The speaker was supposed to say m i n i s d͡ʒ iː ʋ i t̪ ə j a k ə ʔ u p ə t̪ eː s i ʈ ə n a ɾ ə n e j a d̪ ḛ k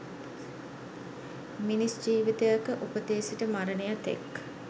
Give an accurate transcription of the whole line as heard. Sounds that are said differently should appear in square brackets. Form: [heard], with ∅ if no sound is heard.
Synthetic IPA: m i n i s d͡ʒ iː ʋ i t̪ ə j a k ə ʔ u p ə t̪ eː s i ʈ ə [m] a ɾ ə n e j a [t̪] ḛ k